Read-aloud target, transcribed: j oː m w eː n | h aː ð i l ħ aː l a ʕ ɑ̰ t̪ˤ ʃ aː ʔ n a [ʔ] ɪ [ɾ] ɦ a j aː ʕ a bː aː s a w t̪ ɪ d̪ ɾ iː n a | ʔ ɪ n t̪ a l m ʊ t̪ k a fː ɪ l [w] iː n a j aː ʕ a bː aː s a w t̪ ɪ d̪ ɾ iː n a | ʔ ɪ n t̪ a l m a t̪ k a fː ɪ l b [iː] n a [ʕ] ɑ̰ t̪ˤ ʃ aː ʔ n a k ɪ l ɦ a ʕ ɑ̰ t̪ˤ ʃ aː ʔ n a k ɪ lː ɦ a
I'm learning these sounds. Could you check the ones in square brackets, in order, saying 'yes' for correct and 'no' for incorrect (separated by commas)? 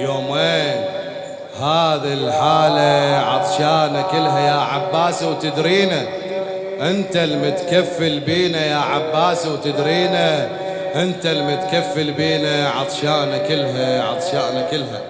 no, no, no, yes, yes